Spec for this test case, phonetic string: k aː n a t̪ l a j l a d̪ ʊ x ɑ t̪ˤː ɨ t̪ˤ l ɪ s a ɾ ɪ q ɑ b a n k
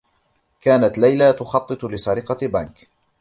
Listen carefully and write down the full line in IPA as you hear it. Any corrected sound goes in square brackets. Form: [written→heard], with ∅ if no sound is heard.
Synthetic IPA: k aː n a t̪ l a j l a [d̪→t̪] ʊ x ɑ t̪ˤː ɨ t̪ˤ l ɪ s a ɾ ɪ q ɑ b a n k